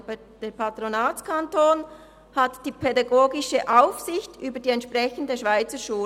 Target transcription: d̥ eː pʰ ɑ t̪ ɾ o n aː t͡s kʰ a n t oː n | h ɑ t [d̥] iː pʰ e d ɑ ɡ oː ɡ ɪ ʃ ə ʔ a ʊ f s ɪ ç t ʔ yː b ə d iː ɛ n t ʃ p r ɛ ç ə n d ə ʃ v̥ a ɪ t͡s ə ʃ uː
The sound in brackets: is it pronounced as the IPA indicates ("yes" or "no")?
yes